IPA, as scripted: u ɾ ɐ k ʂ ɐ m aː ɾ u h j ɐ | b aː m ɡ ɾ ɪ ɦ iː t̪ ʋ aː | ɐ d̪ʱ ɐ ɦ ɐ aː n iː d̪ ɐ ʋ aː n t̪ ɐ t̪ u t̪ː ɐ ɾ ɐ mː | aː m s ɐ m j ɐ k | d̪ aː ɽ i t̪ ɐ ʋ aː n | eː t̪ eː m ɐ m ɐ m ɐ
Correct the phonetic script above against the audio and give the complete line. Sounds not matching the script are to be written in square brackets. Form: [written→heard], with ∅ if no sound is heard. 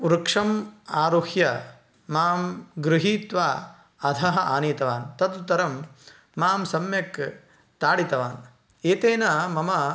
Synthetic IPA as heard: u ɾ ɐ k ʂ ɐ m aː ɾ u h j ɐ | [b→m] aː m ɡ ɾ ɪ ɦ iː t̪ ʋ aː | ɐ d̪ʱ ɐ ɦ ɐ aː n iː [d̪→t̪] ɐ ʋ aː n t̪ ɐ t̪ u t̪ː ɐ ɾ ɐ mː | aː m s ɐ m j ɐ k | [d̪→t̪] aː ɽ i t̪ ɐ ʋ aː n | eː t̪ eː [m→n] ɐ m ɐ m ɐ